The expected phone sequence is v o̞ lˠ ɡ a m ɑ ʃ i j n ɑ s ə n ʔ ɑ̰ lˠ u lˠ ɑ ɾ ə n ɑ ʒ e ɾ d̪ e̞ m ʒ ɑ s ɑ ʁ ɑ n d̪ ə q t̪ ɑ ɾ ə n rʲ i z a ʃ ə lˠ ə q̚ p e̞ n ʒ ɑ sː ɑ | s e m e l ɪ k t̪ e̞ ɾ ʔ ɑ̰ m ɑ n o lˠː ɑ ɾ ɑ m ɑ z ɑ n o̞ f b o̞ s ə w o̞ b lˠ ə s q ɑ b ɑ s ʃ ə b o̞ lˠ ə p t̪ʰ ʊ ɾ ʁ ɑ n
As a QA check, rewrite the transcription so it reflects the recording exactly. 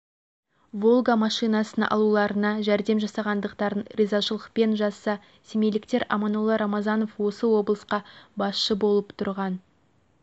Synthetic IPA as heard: v o̞ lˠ ɡ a m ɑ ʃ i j n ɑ s ə n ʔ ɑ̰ lˠ u lˠ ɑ ɾ ə n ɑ ʒ æ ɾ d̪ e̞ m ʒ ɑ s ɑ ʁ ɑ n d̪ ə q t̪ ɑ ɾ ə n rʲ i z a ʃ ə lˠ ə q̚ p e̞ n ʒ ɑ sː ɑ | s e m e l ɪ k t̪ e̞ ɾ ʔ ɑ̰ m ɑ n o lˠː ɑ ɾ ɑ m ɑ z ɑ n o̞ f w o̞ s ə w o̞ b lˠ ə s q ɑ b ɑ s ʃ ə b o̞ lˠ ə p t̪ʰ ʊ ɾ ʁ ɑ n

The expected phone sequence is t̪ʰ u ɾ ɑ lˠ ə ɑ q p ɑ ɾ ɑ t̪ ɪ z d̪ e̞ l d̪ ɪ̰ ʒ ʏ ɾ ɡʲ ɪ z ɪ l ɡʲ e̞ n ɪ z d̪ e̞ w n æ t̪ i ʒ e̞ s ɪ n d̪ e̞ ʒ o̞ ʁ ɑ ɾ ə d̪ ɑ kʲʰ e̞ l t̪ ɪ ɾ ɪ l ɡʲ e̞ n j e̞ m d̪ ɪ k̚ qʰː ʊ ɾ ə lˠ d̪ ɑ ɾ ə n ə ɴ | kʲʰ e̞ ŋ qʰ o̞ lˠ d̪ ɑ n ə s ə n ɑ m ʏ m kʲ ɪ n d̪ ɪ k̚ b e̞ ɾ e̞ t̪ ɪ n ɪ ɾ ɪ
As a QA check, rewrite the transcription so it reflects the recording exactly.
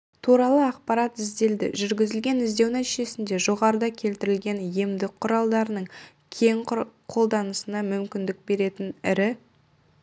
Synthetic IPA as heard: t̪ʰ u ɾ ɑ lˠ ə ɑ q p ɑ ɾ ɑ t̪ ɪ z d̪ e̞ l d̪ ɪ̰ ʒ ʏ ɾ ɡʲ ɪ z ɪ l ɡʲ e̞ n ɪ z d̪ e̞ w n æ t̪ i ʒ e̞ s ɪ n d̪ e̞ ʒ o̞ ʁ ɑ ɾ ə d̪ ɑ kʲʰ e̞ l t̪ ɪ ɾ ɪ l ɡʲ e̞ n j e̞ m d̪ ɪ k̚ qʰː ʊ ɾ ɑ lˠ d̪ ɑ ɾ ə n ə ɴ | kʲʰ e̞ ŋ qʰ o̞ lˠ d̪ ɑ n ə s ə n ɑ m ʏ m kʲ ɪ n d̪ ɪ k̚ b e̞ ɾ e̞ t̪ ɪ n ɪ ɾ ɪ

